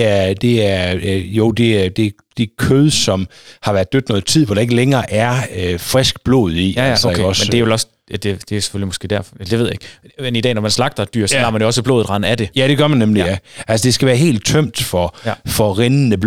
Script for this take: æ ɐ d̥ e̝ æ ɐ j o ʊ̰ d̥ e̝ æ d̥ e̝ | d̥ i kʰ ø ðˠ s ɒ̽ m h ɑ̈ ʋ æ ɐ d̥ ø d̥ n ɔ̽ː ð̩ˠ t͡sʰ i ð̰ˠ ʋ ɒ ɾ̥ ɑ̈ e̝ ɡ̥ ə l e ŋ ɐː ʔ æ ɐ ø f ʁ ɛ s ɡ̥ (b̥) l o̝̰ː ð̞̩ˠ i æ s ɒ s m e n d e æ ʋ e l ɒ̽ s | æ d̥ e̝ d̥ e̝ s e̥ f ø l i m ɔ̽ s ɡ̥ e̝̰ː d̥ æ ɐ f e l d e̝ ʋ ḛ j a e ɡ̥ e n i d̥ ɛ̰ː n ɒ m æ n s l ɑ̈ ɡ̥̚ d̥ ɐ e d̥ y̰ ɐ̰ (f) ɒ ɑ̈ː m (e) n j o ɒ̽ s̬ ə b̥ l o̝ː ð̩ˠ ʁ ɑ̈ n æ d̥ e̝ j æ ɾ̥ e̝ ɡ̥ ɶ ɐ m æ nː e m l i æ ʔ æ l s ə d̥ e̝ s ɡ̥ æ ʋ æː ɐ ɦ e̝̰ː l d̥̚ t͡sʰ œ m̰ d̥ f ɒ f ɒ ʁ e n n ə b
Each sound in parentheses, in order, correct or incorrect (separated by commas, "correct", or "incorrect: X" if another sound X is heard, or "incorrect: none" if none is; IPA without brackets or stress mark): correct, incorrect: s, incorrect: æ